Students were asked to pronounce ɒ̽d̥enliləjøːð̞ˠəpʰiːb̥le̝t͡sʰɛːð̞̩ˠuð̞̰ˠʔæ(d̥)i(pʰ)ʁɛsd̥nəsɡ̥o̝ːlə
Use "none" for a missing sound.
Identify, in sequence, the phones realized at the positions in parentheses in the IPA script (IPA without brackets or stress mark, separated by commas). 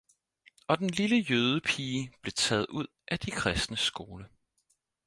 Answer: d̥, kʰ